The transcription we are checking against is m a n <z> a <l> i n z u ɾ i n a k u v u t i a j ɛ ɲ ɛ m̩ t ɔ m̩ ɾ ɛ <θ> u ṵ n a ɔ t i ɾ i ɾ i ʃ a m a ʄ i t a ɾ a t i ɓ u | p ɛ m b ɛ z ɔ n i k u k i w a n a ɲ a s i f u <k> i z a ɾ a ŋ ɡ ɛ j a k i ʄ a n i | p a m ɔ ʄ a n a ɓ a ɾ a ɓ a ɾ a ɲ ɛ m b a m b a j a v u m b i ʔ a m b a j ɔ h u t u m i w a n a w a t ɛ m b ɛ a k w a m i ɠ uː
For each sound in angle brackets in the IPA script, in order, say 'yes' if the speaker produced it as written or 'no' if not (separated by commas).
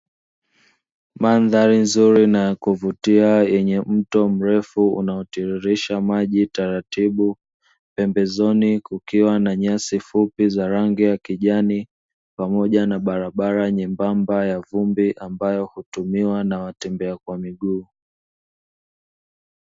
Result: no, no, no, no